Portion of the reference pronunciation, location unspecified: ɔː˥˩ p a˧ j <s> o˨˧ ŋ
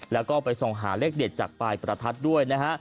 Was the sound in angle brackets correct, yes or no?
yes